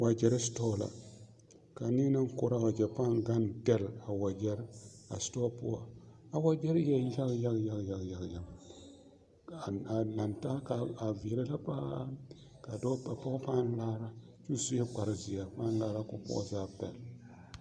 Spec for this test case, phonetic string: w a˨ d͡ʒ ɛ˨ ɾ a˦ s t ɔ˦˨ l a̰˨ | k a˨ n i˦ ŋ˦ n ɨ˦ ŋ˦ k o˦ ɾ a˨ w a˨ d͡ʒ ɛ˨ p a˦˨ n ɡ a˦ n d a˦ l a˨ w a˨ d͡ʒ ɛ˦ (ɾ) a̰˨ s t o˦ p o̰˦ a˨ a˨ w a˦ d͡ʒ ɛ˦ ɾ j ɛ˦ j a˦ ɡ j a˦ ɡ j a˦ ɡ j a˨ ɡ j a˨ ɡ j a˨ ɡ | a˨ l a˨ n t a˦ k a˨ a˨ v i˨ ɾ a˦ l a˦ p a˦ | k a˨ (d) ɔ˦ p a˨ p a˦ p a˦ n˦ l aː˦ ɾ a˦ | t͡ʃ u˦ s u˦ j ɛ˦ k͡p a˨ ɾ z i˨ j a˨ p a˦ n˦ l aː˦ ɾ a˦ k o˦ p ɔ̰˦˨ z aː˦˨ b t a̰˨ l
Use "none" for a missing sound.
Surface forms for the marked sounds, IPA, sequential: ɾ, d

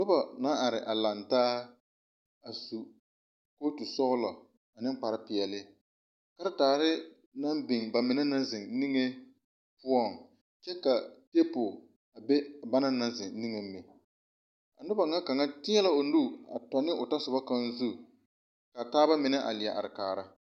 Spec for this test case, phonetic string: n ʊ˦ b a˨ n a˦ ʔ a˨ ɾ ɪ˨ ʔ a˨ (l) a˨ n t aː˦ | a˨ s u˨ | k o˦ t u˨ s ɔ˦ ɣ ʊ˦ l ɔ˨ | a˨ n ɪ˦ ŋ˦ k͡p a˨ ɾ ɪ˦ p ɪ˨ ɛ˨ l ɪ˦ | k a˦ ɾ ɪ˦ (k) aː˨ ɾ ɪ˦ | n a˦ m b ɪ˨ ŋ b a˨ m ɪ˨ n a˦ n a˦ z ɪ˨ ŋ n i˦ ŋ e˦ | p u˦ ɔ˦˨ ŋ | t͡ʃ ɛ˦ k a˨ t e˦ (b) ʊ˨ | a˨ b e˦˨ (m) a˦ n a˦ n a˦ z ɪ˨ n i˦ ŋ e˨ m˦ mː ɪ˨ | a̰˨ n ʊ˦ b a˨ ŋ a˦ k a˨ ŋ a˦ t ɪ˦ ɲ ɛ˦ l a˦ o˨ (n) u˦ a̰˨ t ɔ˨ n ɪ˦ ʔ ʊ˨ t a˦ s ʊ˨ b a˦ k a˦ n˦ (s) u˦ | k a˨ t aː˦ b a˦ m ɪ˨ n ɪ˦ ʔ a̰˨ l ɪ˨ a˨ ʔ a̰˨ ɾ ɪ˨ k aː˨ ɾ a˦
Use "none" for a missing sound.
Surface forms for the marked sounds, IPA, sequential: l, t, p, b, n, z

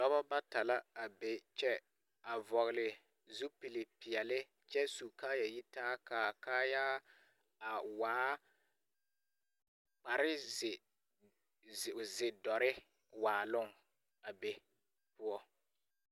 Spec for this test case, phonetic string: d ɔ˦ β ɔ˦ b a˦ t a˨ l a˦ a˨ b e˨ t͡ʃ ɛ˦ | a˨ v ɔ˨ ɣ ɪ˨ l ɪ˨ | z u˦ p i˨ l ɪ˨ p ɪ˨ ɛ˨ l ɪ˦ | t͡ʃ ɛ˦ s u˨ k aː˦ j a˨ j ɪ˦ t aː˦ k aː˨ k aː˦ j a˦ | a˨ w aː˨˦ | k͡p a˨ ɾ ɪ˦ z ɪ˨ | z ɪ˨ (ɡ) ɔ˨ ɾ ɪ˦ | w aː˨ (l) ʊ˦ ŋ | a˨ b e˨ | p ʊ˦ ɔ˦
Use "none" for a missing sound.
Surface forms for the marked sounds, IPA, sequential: d, l

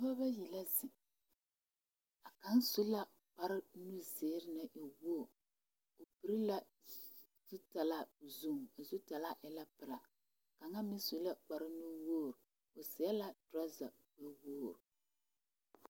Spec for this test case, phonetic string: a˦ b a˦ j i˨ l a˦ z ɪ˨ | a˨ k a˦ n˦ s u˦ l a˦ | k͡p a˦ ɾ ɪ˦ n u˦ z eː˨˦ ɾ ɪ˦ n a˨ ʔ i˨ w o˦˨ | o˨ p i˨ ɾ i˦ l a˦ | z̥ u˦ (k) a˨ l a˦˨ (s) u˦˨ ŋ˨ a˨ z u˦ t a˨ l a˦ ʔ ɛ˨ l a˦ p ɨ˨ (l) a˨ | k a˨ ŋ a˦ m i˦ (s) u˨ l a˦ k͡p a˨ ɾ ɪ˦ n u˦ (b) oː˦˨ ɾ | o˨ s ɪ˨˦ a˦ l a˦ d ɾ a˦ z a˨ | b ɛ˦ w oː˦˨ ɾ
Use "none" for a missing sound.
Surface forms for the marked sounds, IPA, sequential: t, z, ɾ, s, w

